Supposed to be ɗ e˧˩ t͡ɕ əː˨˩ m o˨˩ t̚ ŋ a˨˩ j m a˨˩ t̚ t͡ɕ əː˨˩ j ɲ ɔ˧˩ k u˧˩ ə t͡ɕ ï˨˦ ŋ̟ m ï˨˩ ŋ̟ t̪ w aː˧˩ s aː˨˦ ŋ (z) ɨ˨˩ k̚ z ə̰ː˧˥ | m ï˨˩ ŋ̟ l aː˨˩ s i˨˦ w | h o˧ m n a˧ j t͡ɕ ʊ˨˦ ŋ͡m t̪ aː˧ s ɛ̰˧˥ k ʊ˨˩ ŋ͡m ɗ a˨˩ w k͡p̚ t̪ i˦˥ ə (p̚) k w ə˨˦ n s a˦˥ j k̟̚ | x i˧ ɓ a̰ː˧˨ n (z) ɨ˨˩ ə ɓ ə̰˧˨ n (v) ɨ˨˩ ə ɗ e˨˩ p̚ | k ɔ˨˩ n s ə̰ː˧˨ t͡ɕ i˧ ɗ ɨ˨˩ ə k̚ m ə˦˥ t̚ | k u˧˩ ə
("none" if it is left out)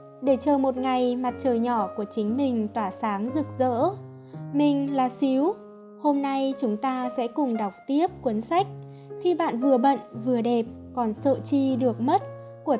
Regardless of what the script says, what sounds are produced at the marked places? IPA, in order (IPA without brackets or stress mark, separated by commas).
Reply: z, p̚, v, v